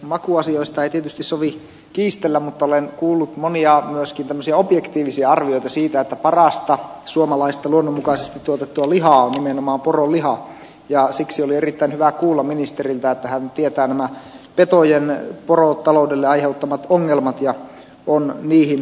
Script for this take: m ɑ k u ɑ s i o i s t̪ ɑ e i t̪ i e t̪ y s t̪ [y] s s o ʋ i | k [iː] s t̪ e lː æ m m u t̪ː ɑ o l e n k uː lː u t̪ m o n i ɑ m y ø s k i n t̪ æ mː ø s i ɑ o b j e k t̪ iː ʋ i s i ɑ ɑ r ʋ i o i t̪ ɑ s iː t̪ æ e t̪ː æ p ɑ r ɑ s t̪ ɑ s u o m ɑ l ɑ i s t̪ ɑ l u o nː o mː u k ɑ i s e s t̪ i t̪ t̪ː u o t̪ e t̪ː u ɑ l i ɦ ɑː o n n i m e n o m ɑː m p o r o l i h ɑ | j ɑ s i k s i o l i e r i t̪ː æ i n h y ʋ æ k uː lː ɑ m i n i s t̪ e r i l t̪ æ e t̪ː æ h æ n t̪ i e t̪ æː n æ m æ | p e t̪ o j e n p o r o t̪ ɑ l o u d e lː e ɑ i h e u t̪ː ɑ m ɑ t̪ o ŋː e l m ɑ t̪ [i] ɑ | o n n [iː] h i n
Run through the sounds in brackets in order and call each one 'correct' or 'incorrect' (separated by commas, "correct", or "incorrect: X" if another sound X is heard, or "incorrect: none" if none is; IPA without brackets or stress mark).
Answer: incorrect: i, correct, incorrect: j, correct